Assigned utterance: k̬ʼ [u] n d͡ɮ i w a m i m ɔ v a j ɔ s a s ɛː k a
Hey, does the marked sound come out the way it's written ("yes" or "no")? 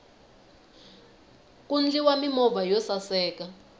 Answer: yes